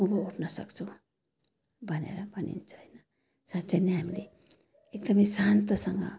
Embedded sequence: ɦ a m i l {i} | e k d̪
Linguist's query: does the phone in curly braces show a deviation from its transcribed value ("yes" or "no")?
yes